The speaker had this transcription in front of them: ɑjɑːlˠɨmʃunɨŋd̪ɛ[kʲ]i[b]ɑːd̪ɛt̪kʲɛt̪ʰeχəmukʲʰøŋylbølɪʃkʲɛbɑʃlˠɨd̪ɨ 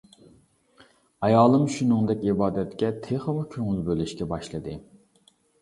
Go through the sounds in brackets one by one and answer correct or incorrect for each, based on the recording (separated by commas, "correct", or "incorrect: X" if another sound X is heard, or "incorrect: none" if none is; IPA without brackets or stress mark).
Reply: correct, correct